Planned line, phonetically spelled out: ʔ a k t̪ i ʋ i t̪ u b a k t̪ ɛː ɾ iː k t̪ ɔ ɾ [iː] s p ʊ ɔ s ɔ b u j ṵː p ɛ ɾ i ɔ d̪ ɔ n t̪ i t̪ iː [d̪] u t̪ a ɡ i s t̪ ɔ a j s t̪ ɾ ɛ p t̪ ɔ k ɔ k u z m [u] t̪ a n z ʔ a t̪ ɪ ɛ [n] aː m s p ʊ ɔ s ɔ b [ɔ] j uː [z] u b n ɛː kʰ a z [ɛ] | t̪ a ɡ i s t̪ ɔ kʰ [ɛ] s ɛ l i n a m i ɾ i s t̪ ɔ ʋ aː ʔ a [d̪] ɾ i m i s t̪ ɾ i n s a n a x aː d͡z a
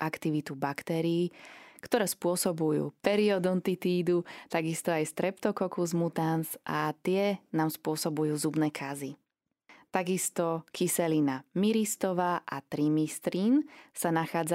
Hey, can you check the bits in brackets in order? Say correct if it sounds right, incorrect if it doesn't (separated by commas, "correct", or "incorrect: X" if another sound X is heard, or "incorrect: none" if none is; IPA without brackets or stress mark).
incorrect: ɛː, correct, correct, correct, incorrect: u, correct, incorrect: i, incorrect: i, incorrect: t̪